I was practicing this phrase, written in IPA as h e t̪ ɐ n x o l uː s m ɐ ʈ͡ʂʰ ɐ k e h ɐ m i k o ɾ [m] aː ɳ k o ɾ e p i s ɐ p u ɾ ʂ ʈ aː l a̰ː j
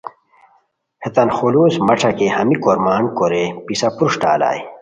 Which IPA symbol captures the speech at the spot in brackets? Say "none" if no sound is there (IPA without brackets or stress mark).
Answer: m